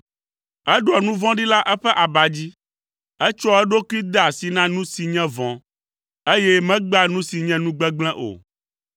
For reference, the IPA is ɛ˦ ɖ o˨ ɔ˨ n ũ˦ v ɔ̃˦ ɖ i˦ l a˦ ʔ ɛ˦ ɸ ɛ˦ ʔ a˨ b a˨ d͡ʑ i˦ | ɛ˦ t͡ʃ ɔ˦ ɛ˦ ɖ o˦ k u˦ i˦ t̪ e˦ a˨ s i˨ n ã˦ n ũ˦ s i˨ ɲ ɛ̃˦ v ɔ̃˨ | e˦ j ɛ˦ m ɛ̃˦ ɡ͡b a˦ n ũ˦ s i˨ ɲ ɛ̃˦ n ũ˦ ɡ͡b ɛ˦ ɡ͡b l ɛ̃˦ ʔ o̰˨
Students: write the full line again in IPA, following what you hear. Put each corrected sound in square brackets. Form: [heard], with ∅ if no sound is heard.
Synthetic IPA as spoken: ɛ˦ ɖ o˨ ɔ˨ n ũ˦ v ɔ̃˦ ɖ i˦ l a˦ ʔ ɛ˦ ɸ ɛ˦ ʔ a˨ b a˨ d͡ʑ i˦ | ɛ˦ t͡ʃ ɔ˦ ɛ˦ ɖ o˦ k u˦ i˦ [d̪] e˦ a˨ s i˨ n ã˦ n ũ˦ s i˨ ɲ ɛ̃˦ v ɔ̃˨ | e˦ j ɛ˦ m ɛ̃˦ ɡ͡b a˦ n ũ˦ s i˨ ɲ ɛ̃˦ n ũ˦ ɡ͡b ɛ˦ ɡ͡b l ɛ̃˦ ʔ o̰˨